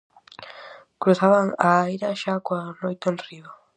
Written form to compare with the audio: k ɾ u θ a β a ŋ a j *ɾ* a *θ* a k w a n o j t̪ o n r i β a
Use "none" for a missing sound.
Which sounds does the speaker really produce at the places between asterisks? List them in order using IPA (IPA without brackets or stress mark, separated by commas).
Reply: ɾ, ʃ